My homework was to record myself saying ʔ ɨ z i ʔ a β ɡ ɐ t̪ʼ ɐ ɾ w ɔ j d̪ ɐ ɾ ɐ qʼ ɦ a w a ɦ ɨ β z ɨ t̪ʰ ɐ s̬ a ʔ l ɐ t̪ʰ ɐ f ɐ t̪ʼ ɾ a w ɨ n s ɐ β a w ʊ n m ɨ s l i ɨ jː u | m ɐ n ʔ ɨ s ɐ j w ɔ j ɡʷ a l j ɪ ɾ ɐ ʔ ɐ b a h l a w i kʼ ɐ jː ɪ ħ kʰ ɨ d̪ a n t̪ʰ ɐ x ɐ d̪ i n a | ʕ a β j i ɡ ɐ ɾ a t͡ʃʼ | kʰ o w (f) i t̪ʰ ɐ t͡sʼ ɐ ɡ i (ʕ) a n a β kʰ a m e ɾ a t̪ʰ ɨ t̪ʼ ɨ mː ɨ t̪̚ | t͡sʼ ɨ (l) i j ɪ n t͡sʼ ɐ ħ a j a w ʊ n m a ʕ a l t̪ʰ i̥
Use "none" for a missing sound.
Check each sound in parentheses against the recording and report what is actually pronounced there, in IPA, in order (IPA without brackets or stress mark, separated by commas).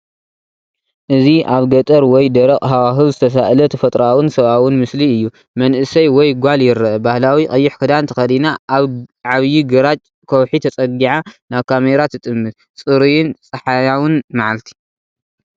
ħ, ʕ, ɾ